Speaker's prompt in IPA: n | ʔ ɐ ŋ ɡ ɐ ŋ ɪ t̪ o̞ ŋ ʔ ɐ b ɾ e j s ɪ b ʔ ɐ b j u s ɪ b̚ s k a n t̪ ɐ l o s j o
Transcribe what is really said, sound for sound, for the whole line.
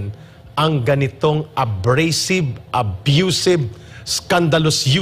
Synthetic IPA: n | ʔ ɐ ŋ ɡ ɐ n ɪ t̪ o̞ ŋ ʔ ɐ b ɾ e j s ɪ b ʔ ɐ b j u s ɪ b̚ s k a n d̪ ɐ l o s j u